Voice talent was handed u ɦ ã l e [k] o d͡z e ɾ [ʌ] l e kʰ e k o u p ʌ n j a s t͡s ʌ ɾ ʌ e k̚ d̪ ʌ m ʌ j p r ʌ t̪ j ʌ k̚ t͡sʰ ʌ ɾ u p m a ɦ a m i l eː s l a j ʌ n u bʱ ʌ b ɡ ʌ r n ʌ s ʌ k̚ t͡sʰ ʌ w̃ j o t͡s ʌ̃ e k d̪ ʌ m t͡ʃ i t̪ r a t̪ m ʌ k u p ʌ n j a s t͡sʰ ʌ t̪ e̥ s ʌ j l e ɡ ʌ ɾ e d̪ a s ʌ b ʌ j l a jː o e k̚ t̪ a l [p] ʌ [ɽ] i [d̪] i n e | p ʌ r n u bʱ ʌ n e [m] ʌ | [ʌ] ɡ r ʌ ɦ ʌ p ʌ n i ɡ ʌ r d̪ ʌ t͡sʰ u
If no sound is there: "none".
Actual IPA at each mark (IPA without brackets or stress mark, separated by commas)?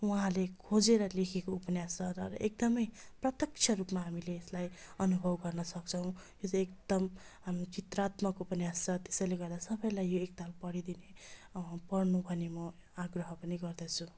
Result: kʰ, ʌ, p, ɽ, d̪, m, a